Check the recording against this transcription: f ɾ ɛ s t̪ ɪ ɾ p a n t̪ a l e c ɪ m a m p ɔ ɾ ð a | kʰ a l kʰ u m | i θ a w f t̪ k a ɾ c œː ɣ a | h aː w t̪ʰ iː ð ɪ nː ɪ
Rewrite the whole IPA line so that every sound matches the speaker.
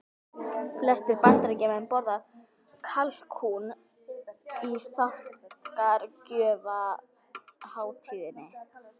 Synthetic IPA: f l ɛ s t̪ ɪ ɾ p a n t̪ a ɾ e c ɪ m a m p ɔ ɾ ð a | kʰ a l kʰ u n | i θ a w h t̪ k a ɾ c œː v a | h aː w t̪ʰ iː ð ɪ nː ɪ